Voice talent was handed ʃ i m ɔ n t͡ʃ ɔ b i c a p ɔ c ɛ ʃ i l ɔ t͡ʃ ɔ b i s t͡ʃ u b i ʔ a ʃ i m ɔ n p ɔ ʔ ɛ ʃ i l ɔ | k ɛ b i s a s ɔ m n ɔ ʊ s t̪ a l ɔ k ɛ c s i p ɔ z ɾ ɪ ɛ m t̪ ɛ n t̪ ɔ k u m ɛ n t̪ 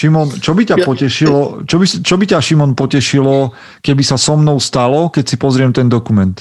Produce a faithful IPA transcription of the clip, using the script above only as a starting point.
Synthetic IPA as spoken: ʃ i m ɔ n t͡ʃ ɔ b i c a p ɔ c ɛ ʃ i l ɔ t͡ʃ ɔ b i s t͡ʃ ɔ b i c a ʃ i m ɔ n p ɔ c ɛ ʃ i l ɔ | k ɛ b i s a s ɔ m n ɔ ʊ s t̪ a l ɔ k ɛ c s i p ɔ z ɾ ɪ ɛ m t̪ ɛ n d̪ ɔ k u m ɛ n t̪